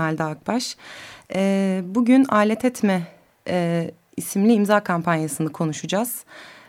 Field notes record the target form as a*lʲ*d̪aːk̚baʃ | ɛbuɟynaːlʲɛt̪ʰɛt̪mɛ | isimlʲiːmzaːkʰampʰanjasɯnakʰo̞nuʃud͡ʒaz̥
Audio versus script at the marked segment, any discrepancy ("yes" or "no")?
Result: no